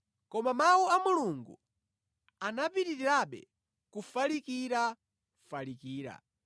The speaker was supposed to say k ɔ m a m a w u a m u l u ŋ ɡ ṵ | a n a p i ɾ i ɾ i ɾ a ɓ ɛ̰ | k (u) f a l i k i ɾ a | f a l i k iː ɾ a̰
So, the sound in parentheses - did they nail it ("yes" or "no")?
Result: yes